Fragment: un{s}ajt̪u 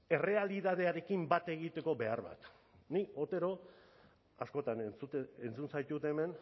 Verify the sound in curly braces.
correct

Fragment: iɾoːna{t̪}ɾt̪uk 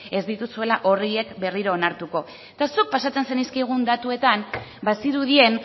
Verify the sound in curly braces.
incorrect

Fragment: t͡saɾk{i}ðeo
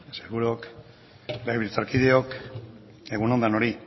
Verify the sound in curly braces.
correct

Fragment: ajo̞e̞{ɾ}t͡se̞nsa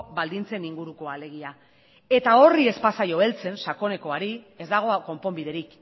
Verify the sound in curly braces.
incorrect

